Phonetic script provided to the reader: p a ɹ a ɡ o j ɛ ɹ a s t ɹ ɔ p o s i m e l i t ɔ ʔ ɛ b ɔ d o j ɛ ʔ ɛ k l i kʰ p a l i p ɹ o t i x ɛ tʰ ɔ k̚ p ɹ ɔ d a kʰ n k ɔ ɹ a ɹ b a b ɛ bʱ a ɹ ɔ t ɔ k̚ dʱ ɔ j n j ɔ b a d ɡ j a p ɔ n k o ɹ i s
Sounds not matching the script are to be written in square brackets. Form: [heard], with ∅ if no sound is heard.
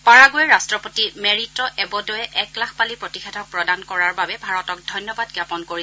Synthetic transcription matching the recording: p a ɹ a ɡ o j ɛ ɹ a s t ɹ ɔ p o [t] i m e [ɹ] i t ɔ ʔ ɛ b ɔ d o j ɛ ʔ ɛ k l [a] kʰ p a l i p ɹ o t i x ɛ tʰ ɔ k̚ p ɹ ɔ d a [∅] n k ɔ ɹ a ɹ b a b ɛ bʱ a ɹ ɔ t ɔ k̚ dʱ ɔ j n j ɔ b a d ɡ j a p ɔ n k o ɹ i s